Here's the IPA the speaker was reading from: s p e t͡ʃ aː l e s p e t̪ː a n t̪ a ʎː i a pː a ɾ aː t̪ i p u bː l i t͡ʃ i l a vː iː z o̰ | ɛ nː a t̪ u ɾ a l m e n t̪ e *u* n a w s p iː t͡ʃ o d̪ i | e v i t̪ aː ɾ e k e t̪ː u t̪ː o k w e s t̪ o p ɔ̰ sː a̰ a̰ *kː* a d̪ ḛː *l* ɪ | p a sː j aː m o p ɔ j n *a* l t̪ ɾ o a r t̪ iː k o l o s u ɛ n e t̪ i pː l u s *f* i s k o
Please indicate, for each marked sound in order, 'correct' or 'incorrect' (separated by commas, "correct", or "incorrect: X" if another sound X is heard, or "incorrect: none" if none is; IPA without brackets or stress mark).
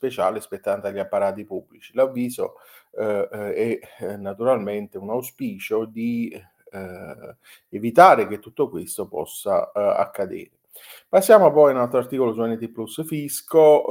correct, correct, incorrect: ɾ, correct, correct